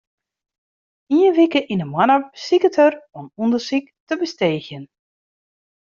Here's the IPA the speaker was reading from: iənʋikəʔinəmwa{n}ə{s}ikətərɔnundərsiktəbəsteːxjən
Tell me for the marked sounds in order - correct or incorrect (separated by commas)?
correct, correct